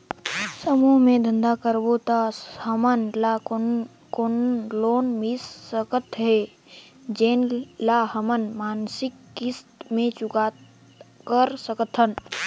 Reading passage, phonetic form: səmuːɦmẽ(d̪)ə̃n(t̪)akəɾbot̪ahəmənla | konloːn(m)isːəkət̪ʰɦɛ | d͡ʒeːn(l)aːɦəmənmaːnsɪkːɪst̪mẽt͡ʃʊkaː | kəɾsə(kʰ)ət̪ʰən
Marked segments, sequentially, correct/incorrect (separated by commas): correct, incorrect, correct, correct, incorrect